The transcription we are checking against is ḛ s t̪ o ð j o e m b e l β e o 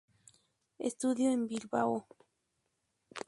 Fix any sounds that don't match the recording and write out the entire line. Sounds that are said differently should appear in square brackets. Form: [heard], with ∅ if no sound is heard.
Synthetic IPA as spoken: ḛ s t̪ [u] ð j o e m b [i] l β [a] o